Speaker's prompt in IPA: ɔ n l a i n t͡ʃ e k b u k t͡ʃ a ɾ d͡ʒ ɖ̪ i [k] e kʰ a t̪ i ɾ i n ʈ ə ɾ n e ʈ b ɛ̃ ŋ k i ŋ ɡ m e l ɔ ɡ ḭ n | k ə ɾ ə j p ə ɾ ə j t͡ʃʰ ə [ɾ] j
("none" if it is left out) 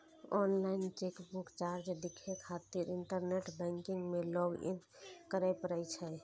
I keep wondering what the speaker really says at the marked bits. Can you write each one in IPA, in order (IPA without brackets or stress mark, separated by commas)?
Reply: kʰ, none